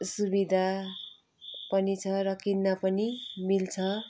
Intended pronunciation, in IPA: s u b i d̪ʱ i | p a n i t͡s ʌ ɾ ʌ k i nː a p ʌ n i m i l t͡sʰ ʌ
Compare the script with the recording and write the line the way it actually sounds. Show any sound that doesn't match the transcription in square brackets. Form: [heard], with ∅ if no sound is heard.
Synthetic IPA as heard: s u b i d̪ʱ [a] | p [ʌ] n i [t͡sʰ] ʌ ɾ ʌ k i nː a p ʌ n i m i l t͡sʰ ʌ